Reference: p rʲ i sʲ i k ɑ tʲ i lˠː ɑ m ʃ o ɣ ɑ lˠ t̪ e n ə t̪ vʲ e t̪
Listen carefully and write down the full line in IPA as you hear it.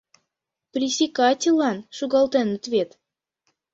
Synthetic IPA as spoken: p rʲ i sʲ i k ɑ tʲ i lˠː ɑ n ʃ u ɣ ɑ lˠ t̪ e n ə t̪ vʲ e t̪